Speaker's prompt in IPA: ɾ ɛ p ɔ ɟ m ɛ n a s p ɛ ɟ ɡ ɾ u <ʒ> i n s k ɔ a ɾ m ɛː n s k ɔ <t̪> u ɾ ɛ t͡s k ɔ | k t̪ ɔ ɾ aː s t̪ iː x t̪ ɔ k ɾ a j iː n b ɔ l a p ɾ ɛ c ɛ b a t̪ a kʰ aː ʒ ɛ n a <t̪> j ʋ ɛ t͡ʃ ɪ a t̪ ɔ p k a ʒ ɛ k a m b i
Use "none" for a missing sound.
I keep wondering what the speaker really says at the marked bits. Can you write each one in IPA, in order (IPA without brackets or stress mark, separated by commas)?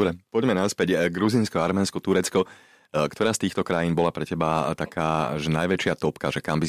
z, t̪, none